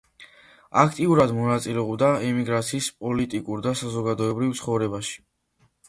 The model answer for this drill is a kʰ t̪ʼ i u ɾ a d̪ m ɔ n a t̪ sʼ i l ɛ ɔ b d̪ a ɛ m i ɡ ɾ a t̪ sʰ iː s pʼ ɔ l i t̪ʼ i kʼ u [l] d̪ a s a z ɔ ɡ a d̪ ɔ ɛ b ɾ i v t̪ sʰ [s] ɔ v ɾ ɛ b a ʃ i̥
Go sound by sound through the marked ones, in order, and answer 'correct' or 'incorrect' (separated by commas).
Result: incorrect, incorrect